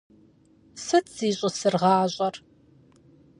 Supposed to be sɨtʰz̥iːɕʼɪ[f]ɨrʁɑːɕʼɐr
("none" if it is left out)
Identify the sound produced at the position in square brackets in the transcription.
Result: s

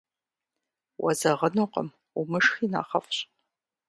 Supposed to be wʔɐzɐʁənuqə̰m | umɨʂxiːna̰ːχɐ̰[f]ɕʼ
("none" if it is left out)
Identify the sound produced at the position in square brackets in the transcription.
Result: f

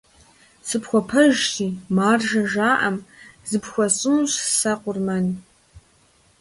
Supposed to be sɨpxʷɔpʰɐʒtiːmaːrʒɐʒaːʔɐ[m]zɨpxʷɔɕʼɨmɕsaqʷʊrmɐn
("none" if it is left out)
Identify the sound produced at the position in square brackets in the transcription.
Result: m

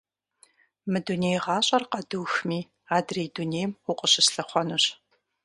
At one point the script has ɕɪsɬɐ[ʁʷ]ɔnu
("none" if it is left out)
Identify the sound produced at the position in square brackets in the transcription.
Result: χʷ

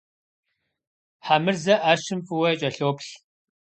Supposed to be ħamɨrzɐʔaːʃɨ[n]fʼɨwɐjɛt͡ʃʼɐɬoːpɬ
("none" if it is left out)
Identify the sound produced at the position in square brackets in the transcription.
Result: m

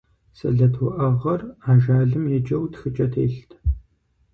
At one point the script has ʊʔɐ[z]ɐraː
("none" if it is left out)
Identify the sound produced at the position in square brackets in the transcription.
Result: ʁ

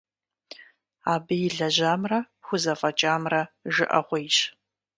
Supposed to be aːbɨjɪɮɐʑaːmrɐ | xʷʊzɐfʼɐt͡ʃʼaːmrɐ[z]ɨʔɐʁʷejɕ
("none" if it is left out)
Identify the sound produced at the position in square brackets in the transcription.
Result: ʒ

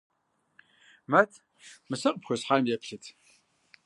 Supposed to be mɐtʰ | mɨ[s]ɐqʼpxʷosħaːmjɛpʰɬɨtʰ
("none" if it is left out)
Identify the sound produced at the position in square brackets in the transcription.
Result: s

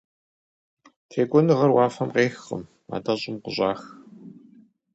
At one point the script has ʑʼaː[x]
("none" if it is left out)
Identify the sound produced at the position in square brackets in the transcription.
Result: x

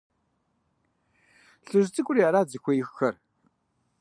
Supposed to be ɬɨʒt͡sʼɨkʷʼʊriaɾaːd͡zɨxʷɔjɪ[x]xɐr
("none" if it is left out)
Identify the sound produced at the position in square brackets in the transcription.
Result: x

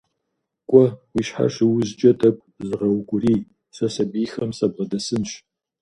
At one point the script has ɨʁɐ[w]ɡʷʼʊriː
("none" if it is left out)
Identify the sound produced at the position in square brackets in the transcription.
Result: w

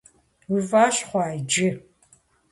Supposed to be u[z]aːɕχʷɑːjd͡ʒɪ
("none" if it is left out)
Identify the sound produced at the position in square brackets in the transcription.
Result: v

